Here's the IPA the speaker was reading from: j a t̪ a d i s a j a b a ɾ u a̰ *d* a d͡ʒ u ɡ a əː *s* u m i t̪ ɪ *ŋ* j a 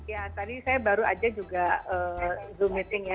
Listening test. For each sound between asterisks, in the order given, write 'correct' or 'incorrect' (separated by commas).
incorrect, incorrect, correct